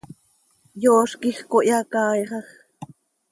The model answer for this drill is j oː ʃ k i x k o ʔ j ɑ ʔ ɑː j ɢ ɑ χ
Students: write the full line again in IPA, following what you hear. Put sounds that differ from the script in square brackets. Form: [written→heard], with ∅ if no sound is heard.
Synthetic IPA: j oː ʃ k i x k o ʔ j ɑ [ʔ→k] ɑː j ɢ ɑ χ